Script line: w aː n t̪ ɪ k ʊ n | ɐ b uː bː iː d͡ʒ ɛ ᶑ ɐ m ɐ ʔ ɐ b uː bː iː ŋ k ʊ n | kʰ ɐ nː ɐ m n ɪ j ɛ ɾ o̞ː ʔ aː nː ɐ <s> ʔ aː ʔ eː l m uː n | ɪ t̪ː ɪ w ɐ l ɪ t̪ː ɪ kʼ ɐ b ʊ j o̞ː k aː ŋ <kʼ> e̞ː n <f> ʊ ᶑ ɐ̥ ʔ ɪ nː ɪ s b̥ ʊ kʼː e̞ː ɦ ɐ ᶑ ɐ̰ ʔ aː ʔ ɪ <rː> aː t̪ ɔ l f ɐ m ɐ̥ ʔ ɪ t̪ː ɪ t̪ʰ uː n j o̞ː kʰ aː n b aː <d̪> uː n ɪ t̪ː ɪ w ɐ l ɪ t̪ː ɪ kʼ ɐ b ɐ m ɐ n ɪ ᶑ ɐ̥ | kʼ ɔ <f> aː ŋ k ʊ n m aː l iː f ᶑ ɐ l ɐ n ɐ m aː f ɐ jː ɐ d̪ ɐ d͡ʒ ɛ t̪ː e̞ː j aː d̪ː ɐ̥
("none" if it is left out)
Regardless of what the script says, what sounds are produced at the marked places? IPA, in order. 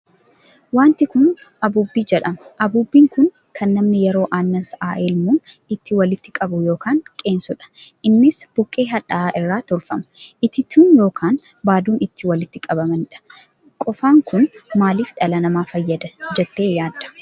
s, kʼ, s, rː, d̪, f

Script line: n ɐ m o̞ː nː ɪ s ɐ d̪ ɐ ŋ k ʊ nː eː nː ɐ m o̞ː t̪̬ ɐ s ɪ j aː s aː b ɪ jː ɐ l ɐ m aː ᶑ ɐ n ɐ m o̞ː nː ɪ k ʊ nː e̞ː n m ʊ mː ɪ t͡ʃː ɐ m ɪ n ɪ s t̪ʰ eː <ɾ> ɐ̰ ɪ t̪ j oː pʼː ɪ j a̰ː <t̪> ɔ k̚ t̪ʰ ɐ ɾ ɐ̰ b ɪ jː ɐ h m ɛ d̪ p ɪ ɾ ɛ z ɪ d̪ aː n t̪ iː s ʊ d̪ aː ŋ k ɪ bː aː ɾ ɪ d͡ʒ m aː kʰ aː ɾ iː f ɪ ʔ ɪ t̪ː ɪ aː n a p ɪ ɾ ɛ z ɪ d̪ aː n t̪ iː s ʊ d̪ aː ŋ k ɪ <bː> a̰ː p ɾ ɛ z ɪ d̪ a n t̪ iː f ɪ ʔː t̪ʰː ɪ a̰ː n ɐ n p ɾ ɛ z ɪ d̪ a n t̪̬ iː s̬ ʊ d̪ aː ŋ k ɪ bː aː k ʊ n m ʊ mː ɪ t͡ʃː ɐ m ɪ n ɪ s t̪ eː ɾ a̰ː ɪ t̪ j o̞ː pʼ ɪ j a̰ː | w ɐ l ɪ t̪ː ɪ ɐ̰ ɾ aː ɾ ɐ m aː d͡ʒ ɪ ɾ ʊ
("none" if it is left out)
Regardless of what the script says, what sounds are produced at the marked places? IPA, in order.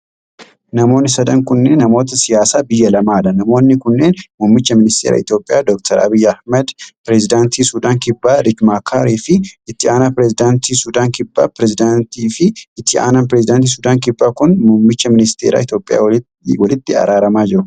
ɾ, d̪, bː

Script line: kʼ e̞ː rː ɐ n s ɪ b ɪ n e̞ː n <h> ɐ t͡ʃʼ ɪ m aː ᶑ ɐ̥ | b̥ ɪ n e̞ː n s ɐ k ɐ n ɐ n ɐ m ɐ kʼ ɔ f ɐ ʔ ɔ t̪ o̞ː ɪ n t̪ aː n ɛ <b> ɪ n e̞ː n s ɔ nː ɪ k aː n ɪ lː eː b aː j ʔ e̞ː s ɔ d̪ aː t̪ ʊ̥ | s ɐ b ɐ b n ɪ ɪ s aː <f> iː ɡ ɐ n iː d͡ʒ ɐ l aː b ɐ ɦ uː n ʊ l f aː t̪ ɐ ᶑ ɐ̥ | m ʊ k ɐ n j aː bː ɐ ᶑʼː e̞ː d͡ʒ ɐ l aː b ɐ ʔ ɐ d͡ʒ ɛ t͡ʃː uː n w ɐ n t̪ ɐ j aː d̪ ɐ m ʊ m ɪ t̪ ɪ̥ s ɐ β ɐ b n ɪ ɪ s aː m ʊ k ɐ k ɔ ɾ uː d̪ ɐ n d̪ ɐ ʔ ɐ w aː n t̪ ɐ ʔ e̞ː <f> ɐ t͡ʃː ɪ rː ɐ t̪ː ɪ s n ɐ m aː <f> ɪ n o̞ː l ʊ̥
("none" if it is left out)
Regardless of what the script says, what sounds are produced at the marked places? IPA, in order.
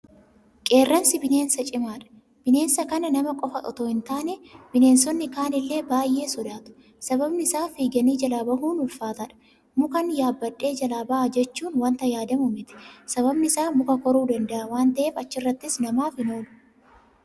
s, b, f, f, f

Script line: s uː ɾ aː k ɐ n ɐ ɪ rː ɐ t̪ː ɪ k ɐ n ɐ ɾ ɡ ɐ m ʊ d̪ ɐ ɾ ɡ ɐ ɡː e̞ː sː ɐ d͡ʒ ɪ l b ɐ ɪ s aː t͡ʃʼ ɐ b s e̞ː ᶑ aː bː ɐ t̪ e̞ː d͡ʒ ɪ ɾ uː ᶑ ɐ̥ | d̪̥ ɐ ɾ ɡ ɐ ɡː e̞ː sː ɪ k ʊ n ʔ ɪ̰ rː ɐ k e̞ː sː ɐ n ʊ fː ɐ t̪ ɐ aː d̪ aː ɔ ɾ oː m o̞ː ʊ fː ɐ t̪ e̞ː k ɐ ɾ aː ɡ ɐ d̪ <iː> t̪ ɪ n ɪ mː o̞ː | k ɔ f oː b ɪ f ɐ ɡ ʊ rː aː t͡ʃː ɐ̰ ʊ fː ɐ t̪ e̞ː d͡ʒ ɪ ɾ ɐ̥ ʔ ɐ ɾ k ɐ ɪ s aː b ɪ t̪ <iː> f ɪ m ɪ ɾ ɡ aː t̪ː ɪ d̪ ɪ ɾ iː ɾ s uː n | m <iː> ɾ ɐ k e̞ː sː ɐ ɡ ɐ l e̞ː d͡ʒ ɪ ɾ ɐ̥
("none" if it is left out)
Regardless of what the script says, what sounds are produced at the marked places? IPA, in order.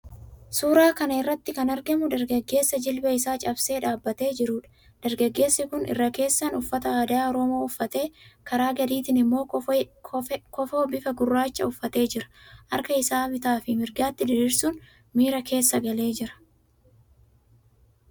iː, aː, iː

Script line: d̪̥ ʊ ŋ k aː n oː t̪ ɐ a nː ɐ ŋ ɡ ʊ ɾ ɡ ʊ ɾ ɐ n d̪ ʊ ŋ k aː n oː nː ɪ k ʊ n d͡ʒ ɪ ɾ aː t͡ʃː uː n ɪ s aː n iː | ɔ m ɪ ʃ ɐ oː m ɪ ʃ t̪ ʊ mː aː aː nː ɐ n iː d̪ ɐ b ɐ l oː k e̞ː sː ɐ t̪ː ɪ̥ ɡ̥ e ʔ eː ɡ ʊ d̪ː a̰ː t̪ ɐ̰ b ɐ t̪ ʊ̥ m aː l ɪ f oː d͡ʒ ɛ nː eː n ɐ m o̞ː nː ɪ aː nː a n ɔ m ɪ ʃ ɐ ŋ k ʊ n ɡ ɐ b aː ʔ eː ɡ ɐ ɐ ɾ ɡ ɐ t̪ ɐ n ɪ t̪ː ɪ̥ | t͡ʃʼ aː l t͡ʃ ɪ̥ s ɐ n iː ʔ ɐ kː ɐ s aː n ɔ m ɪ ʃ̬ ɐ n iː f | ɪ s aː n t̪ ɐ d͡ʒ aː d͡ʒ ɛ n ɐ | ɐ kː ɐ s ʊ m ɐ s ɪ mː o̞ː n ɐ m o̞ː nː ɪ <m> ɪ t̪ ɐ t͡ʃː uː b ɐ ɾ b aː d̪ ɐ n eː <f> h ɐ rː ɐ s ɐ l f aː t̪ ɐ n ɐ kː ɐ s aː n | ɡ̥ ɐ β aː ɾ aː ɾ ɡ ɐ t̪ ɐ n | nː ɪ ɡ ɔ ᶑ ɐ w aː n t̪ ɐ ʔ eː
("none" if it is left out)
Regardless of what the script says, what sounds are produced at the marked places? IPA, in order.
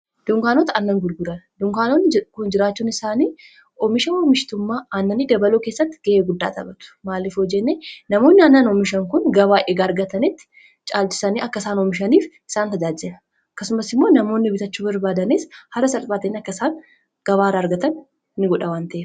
b, s

